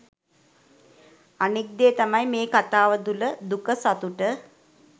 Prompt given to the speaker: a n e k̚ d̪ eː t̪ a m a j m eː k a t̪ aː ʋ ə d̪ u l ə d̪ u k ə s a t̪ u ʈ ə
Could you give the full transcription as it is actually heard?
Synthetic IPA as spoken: a n i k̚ d̪ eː t̪ a m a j m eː k a t̪ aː ʋ ə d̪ u l ə d̪ u k ə s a t̪ u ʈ ə